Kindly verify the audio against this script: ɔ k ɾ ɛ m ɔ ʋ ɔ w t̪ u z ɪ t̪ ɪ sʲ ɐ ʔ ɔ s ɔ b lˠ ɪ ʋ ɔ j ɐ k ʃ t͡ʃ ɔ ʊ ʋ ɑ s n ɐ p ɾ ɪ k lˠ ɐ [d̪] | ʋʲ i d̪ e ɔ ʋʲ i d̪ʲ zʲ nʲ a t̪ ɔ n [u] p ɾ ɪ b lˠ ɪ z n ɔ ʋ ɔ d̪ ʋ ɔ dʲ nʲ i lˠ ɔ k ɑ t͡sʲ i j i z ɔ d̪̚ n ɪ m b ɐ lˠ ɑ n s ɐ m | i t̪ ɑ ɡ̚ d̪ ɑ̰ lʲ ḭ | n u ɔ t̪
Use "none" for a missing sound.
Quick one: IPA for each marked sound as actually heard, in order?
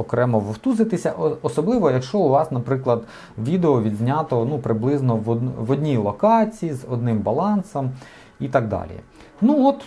d̪, u

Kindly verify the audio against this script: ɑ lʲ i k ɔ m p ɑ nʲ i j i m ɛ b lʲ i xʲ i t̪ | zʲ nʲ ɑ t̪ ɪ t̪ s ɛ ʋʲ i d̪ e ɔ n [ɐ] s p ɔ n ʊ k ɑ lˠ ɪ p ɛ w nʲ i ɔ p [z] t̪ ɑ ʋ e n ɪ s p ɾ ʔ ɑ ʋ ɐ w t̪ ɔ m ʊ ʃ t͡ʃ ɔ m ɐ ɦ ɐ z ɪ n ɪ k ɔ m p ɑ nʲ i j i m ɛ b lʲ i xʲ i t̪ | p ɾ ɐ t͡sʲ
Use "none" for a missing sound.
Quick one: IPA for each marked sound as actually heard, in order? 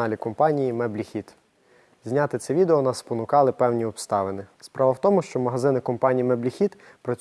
ɑ, s

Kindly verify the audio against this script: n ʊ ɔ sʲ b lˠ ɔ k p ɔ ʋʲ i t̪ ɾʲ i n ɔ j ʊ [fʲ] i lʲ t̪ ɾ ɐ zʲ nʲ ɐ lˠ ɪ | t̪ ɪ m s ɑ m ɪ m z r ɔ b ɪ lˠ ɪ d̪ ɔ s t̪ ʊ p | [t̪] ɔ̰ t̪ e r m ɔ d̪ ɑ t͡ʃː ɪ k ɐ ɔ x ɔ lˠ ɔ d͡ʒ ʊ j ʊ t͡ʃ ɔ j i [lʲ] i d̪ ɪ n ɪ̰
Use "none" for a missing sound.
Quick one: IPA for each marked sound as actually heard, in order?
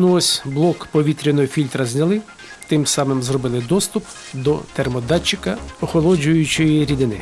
fʲ, d̪, ɾʲ

